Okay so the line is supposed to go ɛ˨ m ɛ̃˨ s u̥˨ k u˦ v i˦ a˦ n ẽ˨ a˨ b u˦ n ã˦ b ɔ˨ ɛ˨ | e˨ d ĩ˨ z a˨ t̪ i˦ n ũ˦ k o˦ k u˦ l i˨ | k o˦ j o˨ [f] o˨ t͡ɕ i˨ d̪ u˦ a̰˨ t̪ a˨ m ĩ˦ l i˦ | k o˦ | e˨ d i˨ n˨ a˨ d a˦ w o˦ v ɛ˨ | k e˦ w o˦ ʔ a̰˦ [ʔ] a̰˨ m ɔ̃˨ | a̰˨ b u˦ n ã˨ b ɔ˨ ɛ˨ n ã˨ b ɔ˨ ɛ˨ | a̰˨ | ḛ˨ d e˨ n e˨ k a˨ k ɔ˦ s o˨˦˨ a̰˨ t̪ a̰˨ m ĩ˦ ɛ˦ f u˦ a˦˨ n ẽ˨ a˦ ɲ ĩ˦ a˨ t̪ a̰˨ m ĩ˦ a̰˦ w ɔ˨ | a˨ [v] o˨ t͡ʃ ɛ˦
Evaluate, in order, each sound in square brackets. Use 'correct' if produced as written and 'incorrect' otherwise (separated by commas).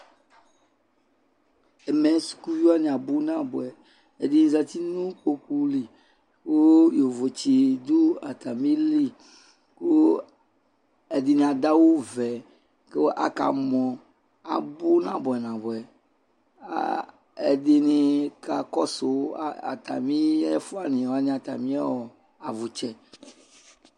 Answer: incorrect, incorrect, correct